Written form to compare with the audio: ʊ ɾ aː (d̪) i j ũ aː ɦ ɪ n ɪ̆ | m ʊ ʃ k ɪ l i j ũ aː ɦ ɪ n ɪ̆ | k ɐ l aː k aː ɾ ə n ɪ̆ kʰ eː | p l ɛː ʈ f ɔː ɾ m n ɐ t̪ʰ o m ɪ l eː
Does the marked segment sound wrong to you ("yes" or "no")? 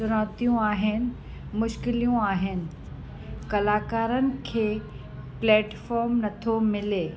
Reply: yes